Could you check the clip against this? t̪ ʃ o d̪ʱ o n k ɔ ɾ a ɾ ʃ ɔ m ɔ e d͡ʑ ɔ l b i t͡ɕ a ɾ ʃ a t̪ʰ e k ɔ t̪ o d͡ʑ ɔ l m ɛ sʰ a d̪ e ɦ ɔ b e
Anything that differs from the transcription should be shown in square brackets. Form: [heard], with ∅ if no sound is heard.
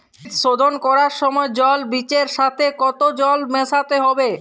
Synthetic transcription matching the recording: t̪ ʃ o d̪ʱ o n k ɔ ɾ a ɾ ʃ ɔ m ɔ e d͡ʑ ɔ l b i t͡ɕ [e] ɾ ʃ a t̪ʰ e k ɔ t̪ o d͡ʑ ɔ l m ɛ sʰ a [t̪] e ɦ ɔ b e